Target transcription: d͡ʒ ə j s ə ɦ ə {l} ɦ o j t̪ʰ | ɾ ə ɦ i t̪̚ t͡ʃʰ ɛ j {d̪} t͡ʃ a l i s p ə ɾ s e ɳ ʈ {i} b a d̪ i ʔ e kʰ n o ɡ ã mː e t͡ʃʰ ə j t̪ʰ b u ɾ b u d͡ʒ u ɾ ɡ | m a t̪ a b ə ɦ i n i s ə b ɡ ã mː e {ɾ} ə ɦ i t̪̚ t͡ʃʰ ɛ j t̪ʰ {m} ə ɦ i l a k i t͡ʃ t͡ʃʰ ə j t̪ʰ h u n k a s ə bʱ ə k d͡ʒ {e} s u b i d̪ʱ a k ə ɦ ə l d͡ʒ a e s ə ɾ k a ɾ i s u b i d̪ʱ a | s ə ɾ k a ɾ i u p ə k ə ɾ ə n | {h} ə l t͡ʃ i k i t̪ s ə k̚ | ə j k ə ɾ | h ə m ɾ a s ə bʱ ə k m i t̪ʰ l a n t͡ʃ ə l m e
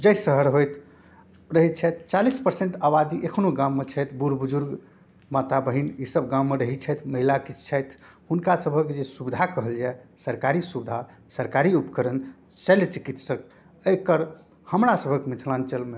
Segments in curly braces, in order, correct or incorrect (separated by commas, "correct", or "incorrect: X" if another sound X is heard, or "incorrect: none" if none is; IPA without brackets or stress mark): incorrect: ɾ, incorrect: t̪, incorrect: a, correct, correct, correct, incorrect: s